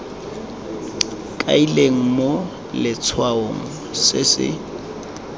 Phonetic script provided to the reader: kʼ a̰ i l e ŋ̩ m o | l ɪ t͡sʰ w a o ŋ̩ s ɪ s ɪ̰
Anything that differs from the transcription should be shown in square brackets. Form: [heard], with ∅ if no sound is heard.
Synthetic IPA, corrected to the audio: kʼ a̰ i l e ŋ̩ m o | l ɪ t͡sʰ w a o ŋ̩ s ɪ s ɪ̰